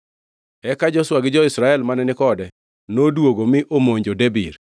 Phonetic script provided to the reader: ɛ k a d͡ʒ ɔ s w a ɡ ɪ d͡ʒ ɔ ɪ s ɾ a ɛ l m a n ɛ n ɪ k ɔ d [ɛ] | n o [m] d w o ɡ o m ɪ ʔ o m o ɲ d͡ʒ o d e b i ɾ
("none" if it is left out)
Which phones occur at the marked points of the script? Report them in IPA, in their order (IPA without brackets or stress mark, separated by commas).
ɛ, none